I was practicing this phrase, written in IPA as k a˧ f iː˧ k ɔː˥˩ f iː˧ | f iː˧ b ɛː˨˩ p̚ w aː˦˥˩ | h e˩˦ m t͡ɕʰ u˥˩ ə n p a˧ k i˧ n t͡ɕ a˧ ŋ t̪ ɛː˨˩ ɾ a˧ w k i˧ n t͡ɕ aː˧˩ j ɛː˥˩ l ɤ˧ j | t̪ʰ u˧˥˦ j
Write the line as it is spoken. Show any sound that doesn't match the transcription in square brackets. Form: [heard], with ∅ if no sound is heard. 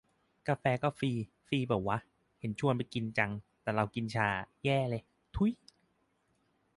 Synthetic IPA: k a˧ f [ɛː˧] k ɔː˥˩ f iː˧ | f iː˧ b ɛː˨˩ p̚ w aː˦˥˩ | h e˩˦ [n] t͡ɕʰ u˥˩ ə n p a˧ k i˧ n t͡ɕ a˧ ŋ t̪ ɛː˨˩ ɾ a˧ w k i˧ n [t͡ɕʰ] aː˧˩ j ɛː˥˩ l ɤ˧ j | t̪ʰ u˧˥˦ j